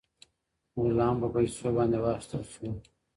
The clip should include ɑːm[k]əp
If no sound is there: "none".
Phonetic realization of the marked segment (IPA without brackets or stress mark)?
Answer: p